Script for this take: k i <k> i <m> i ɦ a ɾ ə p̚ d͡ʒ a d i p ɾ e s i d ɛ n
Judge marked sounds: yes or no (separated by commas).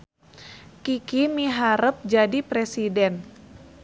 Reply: yes, yes